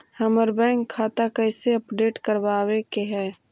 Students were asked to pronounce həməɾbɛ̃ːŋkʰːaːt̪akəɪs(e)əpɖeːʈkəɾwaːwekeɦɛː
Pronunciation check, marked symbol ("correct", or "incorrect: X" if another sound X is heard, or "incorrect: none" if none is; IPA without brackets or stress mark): correct